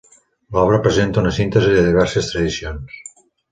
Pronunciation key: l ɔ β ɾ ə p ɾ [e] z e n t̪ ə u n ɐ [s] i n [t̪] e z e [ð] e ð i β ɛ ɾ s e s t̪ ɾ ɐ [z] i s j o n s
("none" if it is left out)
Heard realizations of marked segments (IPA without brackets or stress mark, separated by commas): e, s, t̪, ð, ð